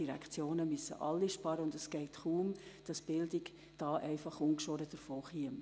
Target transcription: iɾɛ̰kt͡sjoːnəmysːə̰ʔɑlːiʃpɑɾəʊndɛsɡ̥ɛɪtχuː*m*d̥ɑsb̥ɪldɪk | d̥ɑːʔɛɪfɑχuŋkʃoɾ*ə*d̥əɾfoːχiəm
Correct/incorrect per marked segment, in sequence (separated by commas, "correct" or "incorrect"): correct, correct